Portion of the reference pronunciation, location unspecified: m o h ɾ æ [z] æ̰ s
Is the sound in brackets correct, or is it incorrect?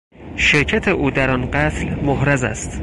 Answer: correct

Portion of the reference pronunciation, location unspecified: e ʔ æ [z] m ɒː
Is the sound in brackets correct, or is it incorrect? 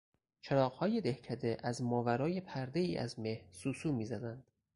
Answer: correct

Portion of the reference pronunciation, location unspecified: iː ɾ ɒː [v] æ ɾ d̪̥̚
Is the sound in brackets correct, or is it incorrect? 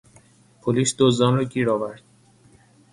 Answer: correct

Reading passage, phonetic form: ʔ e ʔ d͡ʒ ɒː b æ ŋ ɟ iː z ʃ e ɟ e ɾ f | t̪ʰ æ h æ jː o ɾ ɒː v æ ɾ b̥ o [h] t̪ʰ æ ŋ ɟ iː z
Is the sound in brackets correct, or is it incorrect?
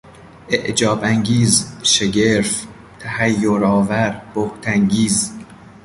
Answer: correct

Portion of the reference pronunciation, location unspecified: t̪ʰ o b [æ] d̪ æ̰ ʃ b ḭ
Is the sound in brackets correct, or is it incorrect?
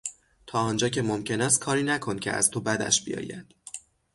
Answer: correct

